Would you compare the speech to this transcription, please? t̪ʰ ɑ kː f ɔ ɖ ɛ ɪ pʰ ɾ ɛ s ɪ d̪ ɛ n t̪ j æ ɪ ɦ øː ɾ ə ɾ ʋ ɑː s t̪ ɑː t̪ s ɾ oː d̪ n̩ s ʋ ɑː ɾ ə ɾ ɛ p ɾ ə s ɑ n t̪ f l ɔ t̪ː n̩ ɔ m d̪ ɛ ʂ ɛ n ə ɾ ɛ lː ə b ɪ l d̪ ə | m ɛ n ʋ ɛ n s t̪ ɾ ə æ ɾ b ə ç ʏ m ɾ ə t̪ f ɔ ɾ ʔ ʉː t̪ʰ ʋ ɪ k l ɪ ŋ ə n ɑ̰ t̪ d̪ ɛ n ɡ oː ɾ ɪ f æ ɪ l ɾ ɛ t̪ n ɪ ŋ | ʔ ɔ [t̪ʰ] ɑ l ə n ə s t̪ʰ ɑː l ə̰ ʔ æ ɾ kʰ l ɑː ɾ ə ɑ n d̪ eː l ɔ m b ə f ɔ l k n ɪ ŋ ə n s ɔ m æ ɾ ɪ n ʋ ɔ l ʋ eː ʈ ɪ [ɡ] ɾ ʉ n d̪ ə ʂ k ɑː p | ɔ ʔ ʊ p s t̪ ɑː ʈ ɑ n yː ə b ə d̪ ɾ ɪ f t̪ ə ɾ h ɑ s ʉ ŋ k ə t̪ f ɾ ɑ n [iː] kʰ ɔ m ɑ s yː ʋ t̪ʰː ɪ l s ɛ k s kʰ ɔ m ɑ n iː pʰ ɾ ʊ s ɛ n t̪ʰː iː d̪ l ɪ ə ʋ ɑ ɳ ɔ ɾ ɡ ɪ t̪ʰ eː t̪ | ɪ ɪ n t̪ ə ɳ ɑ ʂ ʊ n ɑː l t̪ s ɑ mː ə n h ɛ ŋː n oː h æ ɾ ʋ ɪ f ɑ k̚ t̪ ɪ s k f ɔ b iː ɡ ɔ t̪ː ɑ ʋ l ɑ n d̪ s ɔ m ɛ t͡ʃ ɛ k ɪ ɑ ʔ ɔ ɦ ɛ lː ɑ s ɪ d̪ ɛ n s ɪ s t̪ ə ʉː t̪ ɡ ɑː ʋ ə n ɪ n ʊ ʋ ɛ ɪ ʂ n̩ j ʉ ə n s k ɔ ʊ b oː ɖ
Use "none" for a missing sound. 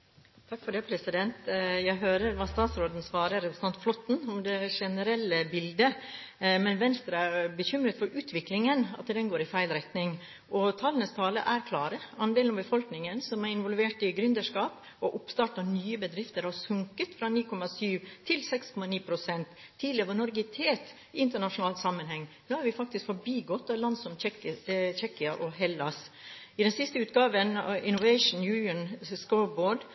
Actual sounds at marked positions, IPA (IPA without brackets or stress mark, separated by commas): t̪ʰ, ɡ, iː